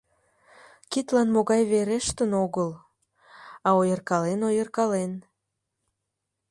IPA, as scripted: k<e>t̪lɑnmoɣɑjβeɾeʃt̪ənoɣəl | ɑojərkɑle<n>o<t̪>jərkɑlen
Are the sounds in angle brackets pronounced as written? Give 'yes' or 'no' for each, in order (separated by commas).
no, yes, no